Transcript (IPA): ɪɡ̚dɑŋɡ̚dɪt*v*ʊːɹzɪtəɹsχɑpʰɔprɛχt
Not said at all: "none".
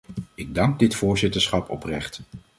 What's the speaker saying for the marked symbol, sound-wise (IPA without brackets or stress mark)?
f